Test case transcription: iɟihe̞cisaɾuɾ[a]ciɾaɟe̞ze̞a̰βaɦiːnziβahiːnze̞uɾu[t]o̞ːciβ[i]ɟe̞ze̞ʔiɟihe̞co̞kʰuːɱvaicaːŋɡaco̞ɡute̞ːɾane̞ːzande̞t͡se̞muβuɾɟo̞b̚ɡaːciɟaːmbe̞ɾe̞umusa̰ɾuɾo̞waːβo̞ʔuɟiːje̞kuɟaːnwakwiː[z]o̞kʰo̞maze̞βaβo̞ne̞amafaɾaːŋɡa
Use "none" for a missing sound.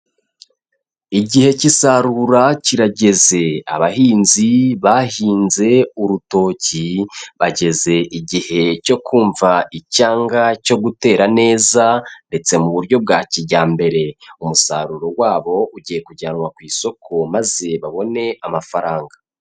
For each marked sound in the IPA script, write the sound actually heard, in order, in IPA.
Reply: a, t, a, s

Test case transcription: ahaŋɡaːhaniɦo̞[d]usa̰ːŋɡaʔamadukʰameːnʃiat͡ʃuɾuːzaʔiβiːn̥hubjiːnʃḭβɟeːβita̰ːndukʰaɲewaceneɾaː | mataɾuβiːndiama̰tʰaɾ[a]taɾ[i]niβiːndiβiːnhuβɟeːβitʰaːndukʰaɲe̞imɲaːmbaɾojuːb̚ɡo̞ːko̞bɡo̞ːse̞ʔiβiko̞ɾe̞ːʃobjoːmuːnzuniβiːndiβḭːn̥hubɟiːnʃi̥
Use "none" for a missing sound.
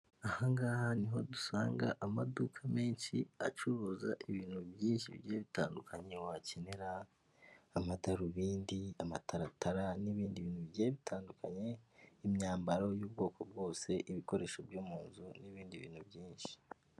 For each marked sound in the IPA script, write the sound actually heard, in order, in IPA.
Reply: d, a, a

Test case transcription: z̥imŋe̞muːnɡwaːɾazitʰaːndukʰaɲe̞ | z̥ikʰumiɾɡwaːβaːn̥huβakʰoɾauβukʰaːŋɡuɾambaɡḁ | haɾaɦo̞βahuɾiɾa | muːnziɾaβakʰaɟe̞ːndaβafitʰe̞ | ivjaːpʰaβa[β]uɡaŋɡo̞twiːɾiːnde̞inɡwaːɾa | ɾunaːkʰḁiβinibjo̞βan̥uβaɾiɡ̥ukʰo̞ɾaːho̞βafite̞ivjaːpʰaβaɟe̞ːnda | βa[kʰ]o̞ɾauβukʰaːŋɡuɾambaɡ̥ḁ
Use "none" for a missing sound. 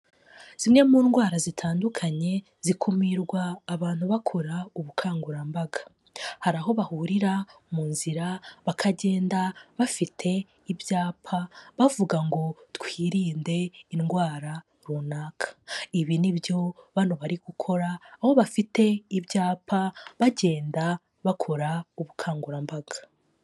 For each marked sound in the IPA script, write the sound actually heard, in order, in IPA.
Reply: v, kʰ

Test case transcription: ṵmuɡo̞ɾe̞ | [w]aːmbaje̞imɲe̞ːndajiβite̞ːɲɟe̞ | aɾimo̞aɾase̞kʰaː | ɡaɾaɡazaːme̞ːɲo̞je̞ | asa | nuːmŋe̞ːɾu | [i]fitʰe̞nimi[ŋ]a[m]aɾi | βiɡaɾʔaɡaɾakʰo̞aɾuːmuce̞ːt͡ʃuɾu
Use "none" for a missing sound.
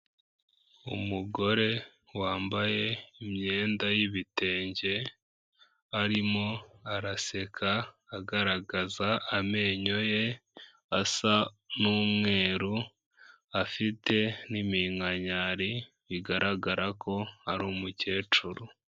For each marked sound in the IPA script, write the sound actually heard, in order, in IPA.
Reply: w, a, ŋ, ɲ

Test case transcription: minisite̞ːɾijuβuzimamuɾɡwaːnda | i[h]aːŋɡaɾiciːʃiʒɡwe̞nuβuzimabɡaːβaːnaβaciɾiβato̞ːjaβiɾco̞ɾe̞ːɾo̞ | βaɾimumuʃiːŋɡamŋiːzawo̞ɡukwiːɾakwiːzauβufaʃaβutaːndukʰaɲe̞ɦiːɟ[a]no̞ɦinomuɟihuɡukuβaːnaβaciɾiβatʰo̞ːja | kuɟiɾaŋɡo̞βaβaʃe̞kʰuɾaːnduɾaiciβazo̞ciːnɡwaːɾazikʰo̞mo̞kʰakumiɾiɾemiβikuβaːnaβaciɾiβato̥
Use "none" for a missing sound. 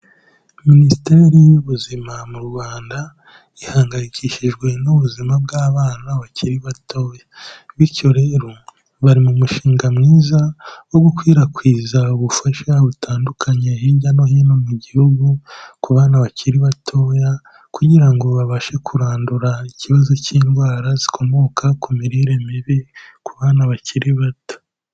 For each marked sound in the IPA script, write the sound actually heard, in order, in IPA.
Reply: h, a

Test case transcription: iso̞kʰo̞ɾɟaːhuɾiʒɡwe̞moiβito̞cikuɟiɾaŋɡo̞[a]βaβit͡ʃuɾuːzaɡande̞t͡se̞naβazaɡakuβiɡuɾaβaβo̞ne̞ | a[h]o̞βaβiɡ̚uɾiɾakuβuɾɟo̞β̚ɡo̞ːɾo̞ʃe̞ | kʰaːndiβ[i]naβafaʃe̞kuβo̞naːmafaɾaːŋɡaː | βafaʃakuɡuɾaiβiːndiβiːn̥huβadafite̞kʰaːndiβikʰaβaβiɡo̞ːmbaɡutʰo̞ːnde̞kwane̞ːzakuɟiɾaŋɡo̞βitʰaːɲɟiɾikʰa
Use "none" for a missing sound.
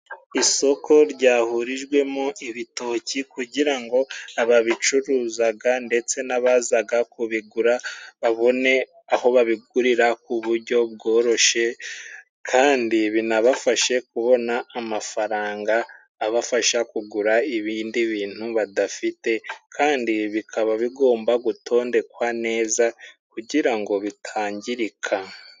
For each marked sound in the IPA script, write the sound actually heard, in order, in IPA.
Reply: a, h, i

